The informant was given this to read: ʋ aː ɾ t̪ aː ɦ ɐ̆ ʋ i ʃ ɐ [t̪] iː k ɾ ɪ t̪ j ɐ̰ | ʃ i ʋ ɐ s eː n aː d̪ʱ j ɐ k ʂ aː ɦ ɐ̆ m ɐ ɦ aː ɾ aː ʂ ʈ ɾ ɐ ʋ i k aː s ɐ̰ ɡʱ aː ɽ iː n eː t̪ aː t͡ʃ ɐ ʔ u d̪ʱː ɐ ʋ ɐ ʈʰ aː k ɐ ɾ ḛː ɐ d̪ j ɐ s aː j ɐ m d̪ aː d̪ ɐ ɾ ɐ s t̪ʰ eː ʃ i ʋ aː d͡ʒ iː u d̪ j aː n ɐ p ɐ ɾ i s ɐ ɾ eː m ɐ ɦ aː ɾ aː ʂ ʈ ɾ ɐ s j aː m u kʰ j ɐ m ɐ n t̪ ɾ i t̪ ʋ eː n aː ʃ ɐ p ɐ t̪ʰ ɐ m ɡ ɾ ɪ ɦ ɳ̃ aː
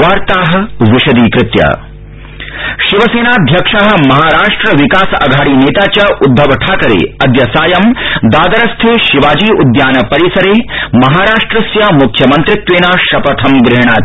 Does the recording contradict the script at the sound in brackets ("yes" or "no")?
yes